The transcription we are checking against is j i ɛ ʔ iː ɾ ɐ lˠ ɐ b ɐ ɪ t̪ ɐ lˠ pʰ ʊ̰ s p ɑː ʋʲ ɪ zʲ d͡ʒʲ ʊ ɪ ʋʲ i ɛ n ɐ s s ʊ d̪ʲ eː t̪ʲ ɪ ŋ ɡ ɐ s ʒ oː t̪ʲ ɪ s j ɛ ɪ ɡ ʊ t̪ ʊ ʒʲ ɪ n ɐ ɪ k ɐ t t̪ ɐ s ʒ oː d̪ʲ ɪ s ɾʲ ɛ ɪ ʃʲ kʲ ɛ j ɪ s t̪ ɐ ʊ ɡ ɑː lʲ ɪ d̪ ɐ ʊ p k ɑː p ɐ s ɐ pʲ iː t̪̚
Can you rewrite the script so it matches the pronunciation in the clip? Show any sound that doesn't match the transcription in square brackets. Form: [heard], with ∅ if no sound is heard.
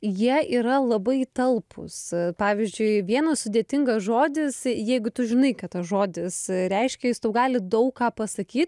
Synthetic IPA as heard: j i ɛ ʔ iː ɾ ɐ lˠ ɐ b ɐ ɪ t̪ ɐ lˠ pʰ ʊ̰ s p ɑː ʋʲ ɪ zʲ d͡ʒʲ ʊ ɪ ʋʲ i ɛ n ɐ s s ʊ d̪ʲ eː t̪ʲ ɪ ŋ ɡ ɐ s ʒ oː [d̪ʲ] ɪ s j ɛ ɪ ɡ ʊ t̪ ʊ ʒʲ ɪ n ɐ ɪ k ɐ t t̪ ɐ s ʒ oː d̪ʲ ɪ s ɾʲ ɛ ɪ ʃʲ kʲ ɛ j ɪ s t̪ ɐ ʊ ɡ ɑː lʲ ɪ d̪ ɐ ʊ [k] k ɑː p ɐ s ɐ [kʲ] iː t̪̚

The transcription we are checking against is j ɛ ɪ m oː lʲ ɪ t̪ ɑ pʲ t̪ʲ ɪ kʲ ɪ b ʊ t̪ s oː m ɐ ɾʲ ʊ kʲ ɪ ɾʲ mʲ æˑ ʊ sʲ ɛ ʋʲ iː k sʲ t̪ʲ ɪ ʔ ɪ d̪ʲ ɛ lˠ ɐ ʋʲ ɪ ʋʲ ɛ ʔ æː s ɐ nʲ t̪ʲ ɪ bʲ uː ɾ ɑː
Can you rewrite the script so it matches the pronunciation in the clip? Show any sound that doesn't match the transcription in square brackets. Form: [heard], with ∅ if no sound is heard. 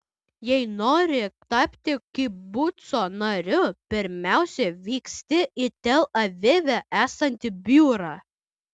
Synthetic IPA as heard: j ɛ ɪ [n] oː [ɾʲ] ɪ t̪ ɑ pʲ t̪ʲ ɪ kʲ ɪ b ʊ t̪ s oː [n] ɐ ɾʲ ʊ [pʲ] ɪ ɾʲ mʲ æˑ ʊ sʲ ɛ ʋʲ iː k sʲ t̪ʲ ɪ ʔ ɪ [t̪ʲ] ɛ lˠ ɐ ʋʲ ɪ ʋʲ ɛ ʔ æː s ɐ nʲ t̪ʲ ɪ bʲ uː ɾ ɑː

